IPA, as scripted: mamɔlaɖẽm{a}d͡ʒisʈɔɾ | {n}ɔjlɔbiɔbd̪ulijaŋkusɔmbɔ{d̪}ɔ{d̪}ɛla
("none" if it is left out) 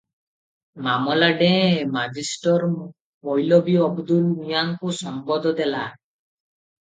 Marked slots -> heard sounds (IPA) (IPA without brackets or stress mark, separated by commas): a, m, d̪, d̪